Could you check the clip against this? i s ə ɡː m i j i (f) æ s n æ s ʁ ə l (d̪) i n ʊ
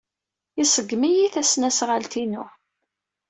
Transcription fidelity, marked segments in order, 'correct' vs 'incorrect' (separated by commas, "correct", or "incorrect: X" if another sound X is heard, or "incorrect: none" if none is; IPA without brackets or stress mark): incorrect: θ, incorrect: t̪